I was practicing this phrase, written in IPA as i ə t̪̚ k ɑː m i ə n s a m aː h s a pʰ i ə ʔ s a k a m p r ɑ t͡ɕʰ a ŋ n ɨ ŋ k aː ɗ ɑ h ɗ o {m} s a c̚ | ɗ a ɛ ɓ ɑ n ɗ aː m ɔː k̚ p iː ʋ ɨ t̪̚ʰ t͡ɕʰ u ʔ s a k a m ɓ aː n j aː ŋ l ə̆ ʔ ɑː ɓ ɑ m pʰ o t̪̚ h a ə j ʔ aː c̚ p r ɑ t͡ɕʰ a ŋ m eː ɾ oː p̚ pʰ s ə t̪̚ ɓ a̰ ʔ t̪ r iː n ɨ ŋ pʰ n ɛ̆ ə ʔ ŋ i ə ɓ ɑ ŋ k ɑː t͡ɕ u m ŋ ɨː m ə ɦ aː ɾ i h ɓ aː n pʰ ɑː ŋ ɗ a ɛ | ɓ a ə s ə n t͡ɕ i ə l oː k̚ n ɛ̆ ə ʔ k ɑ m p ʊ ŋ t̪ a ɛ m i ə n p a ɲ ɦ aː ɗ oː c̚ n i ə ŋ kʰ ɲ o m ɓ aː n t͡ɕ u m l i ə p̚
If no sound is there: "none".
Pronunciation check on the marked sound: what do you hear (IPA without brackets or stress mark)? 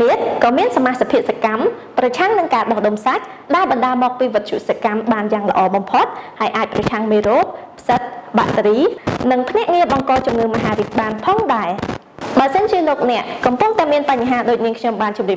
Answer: m